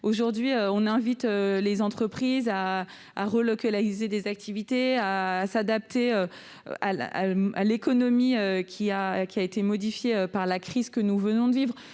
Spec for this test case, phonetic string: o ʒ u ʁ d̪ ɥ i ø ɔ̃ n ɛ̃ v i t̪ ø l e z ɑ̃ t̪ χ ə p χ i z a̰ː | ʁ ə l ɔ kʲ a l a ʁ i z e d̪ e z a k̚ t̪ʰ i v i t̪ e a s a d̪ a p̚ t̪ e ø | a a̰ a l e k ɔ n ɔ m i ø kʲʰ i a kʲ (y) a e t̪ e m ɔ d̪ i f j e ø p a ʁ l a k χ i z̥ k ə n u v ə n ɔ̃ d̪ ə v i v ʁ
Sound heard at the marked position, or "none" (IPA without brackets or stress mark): i